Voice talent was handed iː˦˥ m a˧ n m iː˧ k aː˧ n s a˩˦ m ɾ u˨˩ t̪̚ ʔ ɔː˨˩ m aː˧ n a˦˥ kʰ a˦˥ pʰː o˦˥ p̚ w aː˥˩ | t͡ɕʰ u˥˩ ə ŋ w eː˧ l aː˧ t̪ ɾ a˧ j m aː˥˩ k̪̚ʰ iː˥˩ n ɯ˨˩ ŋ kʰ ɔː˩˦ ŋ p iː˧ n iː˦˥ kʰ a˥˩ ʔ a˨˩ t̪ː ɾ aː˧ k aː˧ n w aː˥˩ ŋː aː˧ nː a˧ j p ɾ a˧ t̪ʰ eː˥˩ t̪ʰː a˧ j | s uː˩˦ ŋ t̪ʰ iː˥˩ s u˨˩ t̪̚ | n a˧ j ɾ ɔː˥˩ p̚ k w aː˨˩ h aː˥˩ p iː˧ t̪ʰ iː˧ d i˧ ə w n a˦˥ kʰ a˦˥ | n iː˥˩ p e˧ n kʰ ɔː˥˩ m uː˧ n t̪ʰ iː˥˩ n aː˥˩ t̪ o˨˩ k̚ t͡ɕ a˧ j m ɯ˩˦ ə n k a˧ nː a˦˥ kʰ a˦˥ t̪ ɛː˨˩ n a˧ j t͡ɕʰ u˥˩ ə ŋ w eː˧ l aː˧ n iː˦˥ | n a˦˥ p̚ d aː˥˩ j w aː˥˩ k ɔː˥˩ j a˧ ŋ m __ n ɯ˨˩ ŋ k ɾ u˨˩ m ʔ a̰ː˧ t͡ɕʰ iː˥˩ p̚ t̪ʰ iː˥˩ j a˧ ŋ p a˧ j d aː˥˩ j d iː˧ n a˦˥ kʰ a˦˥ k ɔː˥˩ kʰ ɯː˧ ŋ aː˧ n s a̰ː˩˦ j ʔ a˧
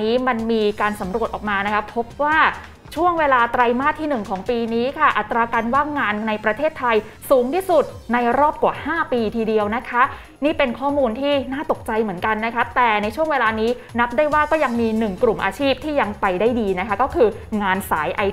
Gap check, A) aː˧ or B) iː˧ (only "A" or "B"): B